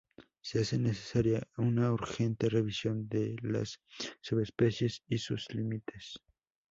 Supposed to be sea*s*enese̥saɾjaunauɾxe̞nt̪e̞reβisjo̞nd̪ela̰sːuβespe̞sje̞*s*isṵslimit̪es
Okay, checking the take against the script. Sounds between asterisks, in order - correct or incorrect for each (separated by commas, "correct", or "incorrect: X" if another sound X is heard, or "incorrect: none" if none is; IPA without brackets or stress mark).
correct, correct